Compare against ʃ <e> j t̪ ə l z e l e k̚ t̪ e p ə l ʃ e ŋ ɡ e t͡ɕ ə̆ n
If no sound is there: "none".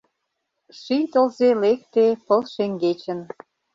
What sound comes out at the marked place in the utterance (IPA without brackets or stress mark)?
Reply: i